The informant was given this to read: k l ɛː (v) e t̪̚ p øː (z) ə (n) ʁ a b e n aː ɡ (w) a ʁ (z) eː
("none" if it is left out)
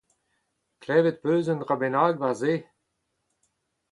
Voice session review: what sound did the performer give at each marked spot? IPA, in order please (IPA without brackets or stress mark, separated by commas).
v, z, n, v, z